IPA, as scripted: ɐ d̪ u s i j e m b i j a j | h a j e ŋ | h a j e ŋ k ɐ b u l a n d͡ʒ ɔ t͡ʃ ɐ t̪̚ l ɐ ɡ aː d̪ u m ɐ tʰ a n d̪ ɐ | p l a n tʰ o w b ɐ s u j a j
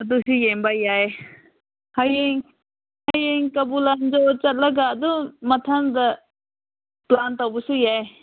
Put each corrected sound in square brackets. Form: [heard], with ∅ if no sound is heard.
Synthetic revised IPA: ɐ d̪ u s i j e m b [a] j a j | h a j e ŋ | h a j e ŋ k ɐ b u l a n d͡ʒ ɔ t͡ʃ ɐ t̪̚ l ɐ ɡ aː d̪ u m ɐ tʰ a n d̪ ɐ | p l a n [t] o w b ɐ s u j a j

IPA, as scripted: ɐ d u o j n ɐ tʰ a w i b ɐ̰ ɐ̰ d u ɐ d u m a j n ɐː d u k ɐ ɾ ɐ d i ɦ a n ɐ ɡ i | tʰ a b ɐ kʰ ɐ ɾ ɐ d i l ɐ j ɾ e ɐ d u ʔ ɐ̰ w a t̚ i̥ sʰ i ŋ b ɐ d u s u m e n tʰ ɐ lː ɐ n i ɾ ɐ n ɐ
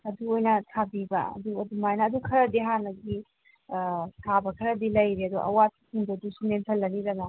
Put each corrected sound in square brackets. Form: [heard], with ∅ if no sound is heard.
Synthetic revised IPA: ɐ d u o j n ɐ tʰ a [b] i b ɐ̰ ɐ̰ d u ɐ d u m a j n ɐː d u [kʰ] ɐ ɾ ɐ d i ɦ a n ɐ ɡ i | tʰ a b ɐ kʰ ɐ ɾ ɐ d i l ɐ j ɾ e ɐ d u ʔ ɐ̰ w a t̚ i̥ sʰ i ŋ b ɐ d u s u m e n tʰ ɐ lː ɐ n i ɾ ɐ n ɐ

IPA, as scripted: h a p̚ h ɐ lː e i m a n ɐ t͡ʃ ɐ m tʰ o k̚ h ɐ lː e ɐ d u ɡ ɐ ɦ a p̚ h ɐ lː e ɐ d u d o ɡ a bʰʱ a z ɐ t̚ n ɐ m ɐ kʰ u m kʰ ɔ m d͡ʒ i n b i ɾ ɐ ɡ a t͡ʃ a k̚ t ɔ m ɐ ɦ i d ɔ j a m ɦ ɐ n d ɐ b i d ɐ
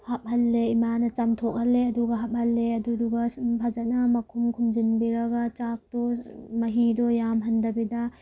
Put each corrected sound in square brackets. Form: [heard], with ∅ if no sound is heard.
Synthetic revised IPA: h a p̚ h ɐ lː e i m a n ɐ t͡ʃ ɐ m tʰ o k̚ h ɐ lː e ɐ d u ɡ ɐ ɦ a p̚ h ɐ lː e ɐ d u d [u] ɡ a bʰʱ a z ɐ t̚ n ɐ m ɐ kʰ u m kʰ [u] m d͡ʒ i n b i ɾ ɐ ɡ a t͡ʃ a k̚ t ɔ m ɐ ɦ i d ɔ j a m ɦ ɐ n d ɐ b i d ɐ

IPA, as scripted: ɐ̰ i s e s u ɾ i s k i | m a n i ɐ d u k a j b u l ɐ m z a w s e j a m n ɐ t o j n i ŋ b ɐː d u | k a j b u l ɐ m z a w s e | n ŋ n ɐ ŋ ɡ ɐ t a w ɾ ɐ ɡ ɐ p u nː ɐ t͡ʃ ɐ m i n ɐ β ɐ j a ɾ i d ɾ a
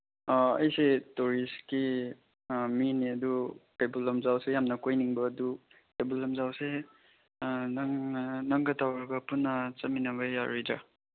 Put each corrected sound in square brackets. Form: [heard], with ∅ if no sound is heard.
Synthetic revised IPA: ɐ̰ [j] s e [t] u ɾ i s k i | m [i] n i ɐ d u k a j b u l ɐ m z a w s e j a m n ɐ [k] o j n i ŋ b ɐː d u | k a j b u l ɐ m z a w s e | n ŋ n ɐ ŋ ɡ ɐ t a w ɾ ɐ ɡ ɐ p u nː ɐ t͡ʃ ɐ m i n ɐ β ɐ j a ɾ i d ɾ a

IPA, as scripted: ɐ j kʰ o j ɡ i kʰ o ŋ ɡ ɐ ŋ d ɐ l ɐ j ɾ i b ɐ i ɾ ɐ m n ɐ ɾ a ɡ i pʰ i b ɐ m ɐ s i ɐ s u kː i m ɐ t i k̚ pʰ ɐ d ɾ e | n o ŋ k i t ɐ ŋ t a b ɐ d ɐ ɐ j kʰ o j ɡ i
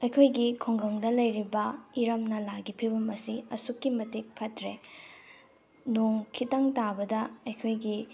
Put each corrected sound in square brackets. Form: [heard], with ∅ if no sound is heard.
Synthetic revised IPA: ɐ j kʰ o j ɡ i kʰ o ŋ ɡ ɐ ŋ d ɐ l ɐ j ɾ i b ɐ i ɾ ɐ m n ɐ [l] a ɡ i pʰ i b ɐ m ɐ s i ɐ s u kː i m ɐ t i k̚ pʰ ɐ [t] ɾ e | n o ŋ [kʰ] i t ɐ ŋ t a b ɐ d ɐ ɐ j kʰ o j ɡ i

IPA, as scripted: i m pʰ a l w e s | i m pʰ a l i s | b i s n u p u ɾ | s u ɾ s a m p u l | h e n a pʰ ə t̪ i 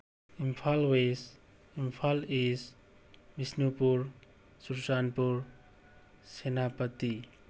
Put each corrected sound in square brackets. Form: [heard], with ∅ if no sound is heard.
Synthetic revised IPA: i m pʰ a l w e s | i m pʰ a l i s | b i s n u p u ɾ | s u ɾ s a [n] p u [ɾ] | [s] e n a [p] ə t̪ i

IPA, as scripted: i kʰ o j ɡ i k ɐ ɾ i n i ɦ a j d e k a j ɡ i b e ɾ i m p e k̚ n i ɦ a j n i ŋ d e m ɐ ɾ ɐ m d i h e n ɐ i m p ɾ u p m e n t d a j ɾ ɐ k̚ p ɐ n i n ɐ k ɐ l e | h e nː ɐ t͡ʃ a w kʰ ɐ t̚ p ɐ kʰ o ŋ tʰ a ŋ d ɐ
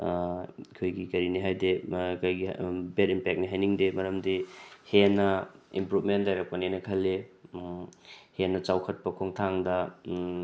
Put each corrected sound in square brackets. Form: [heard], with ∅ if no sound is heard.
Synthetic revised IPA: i kʰ o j ɡ i k ɐ ɾ i n i ɦ a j d e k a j ɡ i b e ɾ i m p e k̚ n i ɦ a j n i ŋ d e m ɐ ɾ ɐ m d i h e n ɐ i m p ɾ u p m e n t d a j ɾ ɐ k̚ p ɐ n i n ɐ [kʰ] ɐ l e | h e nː ɐ t͡ʃ a w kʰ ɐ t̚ p ɐ kʰ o ŋ tʰ a ŋ d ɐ

